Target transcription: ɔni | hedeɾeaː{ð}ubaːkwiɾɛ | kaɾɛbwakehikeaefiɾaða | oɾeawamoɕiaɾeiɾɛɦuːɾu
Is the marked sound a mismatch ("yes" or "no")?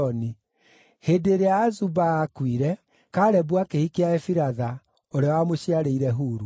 yes